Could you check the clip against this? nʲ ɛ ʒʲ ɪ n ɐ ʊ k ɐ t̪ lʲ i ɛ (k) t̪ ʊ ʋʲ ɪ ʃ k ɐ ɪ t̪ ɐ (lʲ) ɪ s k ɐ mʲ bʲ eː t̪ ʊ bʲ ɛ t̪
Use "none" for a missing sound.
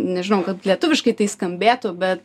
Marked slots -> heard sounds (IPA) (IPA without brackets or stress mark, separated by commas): none, none